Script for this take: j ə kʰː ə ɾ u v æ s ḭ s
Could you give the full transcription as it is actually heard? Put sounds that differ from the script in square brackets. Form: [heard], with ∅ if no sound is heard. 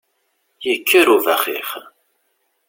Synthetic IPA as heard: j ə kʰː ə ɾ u v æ [χ] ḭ [χ]